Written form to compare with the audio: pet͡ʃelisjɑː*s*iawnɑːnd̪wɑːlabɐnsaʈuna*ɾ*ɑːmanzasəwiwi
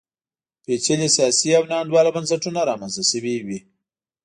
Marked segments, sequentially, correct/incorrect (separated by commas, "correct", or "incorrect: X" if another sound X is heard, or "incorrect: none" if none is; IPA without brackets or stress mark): correct, correct